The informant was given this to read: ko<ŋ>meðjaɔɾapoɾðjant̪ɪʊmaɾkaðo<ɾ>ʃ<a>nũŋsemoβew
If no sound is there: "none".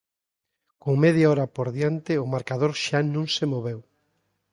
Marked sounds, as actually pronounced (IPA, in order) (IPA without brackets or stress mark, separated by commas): ŋ, ɾ, a